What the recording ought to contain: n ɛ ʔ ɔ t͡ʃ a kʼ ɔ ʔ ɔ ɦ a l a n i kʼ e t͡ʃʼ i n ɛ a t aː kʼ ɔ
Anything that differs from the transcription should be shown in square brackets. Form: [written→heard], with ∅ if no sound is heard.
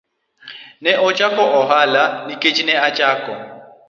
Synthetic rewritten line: n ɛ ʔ ɔ [t͡ʃ→t͡ʃʼ] a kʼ ɔ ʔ ɔ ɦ a l a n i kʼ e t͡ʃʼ i n ɛ a [t→t͡ʃʼ] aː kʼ ɔ